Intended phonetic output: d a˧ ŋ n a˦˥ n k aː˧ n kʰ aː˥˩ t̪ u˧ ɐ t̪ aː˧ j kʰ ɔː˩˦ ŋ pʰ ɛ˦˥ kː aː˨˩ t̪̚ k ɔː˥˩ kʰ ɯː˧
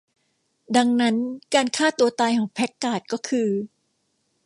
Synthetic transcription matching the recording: d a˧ ŋ n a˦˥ n k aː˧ n kʰ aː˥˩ t̪ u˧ ɐ t̪ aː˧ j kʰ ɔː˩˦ ŋ pʰ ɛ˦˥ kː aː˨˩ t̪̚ k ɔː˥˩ kʰ ɯː˧